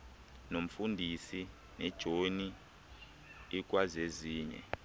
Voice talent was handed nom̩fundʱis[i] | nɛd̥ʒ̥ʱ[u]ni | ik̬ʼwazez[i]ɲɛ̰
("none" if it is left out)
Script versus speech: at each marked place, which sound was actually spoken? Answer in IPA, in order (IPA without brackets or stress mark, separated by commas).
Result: i, o, iː